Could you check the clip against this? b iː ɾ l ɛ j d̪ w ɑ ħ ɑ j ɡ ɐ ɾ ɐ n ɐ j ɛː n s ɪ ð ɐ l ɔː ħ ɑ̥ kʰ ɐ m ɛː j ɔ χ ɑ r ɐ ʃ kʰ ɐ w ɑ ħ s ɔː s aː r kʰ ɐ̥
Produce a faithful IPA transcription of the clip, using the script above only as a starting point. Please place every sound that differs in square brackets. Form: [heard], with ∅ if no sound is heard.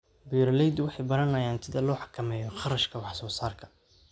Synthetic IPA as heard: b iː ɾ l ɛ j d̪ w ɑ ħ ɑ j [b] ɐ ɾ ɐ n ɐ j [aː] n s ɪ ð ɐ l ɔː ħ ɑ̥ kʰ ɐ m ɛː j ɔ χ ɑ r ɐ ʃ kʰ ɐ w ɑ ħ s ɔː s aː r kʰ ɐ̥